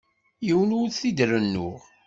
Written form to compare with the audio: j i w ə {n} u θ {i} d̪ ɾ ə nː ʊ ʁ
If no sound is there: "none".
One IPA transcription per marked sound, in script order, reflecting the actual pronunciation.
n, i

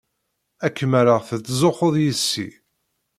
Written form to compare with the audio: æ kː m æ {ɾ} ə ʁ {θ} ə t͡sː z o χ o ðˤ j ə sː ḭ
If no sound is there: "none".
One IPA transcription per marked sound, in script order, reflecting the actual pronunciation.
ɾ, θ

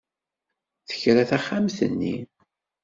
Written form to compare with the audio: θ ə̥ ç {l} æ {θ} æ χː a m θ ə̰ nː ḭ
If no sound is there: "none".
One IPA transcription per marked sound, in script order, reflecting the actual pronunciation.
ɾ, θ

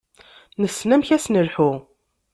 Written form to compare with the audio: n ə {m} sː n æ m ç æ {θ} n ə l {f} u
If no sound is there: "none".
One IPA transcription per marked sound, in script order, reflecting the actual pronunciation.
none, s, ħ

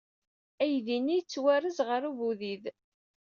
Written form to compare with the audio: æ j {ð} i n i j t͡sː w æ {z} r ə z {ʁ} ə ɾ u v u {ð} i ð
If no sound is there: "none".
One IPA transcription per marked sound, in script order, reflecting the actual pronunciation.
ð, none, ʁ, ð

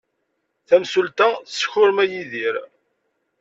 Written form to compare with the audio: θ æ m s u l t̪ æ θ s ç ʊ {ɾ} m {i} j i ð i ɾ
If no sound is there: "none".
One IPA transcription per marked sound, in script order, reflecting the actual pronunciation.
ɾ, æ

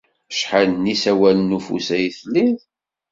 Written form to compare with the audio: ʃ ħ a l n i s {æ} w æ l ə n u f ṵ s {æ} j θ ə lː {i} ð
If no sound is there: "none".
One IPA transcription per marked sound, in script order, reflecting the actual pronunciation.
æ, æ, i

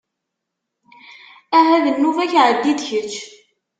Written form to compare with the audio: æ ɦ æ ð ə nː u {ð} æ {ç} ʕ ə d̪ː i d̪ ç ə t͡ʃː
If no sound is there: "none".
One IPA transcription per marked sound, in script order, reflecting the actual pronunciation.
v, ç

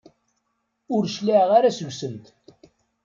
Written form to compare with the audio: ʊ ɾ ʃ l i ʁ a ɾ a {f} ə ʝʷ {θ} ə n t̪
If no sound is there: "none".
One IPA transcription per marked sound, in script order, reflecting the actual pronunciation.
s, s

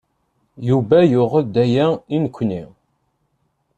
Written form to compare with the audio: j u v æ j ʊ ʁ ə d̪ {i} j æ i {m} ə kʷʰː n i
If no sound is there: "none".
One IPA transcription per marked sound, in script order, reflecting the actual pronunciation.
æ, n

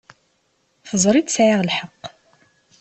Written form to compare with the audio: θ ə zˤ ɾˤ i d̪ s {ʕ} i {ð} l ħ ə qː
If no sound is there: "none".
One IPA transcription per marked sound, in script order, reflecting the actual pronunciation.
ʕ, ʁ

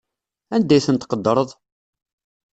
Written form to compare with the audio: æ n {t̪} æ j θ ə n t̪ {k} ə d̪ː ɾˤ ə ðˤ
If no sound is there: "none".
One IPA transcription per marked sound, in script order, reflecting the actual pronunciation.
d̪, q

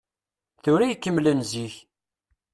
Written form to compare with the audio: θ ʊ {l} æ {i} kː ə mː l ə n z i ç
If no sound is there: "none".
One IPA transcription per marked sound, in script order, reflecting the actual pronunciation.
ɾ, j

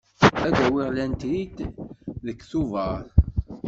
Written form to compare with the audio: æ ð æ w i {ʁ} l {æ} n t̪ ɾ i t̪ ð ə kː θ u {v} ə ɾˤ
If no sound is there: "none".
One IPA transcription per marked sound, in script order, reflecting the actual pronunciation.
ʁ, æ, v

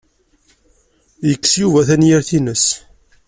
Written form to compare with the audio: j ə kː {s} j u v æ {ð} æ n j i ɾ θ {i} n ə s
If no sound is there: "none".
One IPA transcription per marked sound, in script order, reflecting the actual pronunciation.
s, θ, i

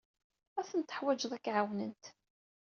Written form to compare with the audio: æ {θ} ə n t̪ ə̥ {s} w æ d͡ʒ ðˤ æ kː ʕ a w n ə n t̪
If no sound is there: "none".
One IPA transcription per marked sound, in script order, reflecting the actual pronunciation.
θ, ħ

